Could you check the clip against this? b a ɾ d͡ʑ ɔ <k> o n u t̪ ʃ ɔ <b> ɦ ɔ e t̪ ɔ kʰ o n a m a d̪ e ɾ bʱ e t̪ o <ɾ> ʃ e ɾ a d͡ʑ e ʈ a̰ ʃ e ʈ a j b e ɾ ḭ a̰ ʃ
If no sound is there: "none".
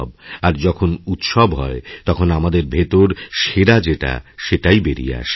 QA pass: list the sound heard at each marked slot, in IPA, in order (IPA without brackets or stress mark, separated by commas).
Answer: kʰ, b, ɾ